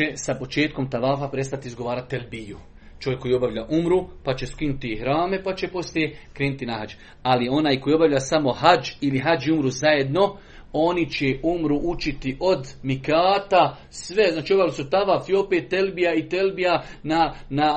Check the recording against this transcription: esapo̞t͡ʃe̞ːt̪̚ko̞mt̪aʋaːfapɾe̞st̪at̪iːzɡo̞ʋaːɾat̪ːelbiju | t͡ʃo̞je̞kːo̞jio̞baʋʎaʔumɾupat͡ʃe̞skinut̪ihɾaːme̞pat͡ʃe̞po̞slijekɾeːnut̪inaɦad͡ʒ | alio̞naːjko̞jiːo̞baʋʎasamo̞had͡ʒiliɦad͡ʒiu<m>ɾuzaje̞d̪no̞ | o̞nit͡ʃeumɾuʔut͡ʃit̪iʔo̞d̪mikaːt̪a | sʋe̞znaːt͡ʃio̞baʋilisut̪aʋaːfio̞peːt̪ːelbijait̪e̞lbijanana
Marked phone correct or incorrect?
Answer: correct